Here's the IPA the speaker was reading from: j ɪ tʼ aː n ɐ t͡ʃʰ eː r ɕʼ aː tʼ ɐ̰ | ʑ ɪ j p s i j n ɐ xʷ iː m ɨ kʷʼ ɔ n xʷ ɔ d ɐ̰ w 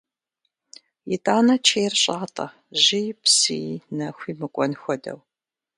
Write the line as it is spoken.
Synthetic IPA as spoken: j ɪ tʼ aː n ɐ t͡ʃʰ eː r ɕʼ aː tʼ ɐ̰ | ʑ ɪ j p s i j n ɐ xʷ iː m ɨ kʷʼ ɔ n xʷ ɔ d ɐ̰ w